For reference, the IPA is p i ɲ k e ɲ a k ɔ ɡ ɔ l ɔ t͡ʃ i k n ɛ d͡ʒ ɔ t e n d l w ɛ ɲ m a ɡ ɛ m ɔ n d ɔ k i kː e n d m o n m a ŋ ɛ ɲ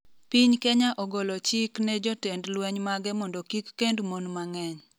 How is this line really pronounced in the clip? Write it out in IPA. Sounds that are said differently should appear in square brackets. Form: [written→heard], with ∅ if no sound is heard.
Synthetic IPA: p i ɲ k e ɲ a [k→ʔ] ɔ ɡ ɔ l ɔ t͡ʃ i k n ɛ d͡ʒ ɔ t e n d l w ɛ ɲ m a ɡ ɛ m ɔ n d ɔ k i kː e n d m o n m a ŋ ɛ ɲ